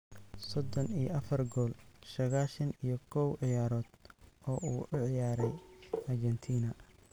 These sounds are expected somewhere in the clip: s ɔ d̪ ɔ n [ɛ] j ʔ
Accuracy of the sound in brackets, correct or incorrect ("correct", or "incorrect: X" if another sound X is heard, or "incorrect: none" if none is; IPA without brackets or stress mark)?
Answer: incorrect: i